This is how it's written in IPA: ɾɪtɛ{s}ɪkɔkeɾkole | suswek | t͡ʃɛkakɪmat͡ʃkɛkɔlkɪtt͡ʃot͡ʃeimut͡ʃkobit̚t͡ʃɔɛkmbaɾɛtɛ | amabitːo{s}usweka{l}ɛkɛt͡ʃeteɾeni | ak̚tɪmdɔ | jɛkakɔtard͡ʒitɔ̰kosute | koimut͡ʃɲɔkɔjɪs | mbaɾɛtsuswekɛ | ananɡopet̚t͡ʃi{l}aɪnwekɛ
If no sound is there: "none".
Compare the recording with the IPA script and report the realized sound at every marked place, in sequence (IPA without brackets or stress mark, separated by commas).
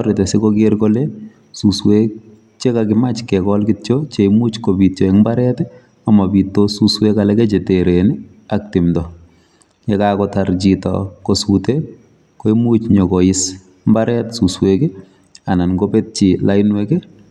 s, s, l, l